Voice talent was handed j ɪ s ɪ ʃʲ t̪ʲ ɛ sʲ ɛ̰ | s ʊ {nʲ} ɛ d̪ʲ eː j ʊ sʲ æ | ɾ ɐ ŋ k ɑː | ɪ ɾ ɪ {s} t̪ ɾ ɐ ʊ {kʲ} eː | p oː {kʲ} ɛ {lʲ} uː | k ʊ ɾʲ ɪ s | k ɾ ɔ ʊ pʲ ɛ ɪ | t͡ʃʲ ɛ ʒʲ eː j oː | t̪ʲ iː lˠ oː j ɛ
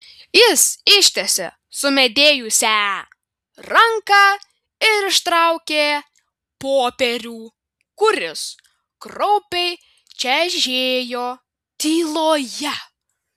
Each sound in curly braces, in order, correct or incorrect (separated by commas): incorrect, incorrect, correct, incorrect, incorrect